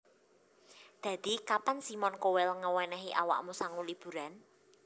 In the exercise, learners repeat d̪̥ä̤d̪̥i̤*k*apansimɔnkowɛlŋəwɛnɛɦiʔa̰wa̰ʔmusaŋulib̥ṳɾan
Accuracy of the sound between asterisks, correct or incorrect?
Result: correct